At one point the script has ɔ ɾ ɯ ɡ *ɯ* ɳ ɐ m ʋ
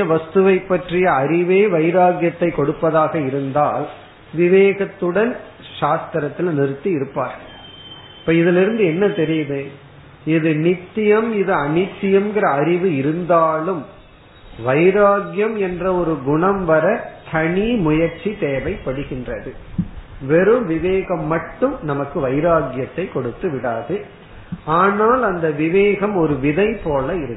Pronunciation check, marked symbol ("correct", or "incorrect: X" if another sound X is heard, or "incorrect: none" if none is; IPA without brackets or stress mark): incorrect: ʊ